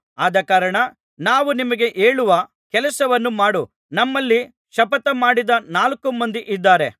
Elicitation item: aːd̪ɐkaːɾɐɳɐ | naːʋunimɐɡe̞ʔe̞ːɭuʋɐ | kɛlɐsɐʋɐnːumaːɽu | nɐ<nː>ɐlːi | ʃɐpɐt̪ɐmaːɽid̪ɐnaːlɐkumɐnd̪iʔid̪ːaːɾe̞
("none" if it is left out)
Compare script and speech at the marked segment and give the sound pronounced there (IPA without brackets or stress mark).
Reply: mː